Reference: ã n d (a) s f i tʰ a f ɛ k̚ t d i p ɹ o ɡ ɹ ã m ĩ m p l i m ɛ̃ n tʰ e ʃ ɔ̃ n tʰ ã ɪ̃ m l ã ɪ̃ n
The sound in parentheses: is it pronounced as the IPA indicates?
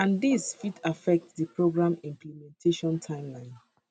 no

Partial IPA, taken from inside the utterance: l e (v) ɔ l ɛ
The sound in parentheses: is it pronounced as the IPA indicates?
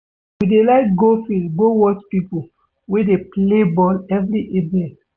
no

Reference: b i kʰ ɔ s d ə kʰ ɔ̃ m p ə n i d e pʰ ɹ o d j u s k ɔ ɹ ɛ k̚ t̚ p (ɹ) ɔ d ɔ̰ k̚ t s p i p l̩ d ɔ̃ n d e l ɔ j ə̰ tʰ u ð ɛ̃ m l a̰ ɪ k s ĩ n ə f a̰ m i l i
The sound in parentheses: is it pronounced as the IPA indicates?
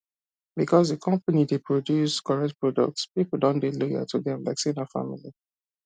yes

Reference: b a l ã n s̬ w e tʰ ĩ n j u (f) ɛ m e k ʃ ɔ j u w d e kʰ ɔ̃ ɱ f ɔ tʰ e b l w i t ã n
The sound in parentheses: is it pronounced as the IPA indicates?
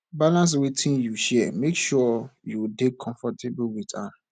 no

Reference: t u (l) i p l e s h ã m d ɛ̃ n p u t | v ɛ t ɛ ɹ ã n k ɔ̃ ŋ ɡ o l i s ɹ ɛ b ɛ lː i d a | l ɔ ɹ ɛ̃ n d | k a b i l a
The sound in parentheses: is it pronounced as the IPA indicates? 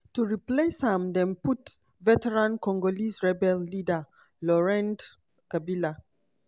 no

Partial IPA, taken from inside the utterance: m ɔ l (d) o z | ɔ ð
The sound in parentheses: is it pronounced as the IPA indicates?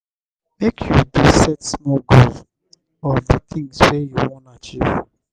no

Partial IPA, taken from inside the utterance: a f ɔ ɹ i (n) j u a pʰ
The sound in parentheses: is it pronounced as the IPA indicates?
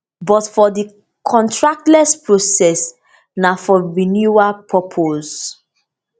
yes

